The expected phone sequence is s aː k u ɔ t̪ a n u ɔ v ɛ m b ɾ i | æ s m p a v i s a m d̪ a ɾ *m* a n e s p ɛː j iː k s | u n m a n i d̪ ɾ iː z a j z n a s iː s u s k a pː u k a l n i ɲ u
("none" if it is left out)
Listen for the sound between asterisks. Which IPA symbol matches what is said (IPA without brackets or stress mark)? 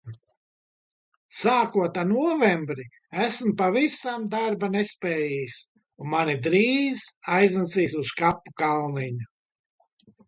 b